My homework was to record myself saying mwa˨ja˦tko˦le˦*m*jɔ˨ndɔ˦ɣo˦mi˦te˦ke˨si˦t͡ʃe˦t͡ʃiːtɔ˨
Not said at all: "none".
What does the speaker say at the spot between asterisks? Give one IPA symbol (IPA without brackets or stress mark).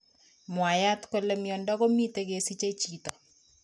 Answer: m